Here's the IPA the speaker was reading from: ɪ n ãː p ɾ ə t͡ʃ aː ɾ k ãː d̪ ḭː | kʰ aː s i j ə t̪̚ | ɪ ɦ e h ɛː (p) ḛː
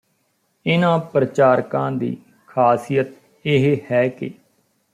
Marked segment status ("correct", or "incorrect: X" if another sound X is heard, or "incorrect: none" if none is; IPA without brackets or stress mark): incorrect: k